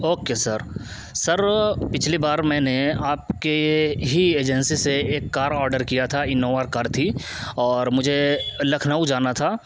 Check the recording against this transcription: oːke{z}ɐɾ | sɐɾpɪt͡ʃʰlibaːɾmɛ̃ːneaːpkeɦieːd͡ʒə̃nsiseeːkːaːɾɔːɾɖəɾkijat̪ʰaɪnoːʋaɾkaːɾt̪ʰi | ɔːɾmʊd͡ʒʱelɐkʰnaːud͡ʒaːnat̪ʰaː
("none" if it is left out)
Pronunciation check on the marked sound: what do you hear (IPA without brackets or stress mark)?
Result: s